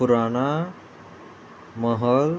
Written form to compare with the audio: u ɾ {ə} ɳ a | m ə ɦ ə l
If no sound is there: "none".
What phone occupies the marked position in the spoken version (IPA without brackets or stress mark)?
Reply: a